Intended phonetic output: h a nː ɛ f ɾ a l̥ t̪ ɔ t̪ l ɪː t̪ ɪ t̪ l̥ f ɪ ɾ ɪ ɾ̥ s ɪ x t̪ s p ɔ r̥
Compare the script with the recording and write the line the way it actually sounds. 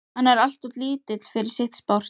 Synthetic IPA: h a nː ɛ ɾ a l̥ t̪ ɔ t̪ l iː t̪ ɪ t̪ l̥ f ɪ ɾ ɪ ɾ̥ s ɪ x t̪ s p ɔ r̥